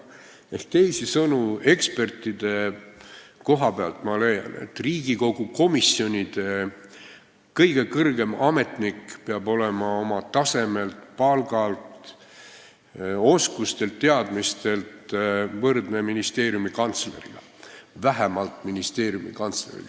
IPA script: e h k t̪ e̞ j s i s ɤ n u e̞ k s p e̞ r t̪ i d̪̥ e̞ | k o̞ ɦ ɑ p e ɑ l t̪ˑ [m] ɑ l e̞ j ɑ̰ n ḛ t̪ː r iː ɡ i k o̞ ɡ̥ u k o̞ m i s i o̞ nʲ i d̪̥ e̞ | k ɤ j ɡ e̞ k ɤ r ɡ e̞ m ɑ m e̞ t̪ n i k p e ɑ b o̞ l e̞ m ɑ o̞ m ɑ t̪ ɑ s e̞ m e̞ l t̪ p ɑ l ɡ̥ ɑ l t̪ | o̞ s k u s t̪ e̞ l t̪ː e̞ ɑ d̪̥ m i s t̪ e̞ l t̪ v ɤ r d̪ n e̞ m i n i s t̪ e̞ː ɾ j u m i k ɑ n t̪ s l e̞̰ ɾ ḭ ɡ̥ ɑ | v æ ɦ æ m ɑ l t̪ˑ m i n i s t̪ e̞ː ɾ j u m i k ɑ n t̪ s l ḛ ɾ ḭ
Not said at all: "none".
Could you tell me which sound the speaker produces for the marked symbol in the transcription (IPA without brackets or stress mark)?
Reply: m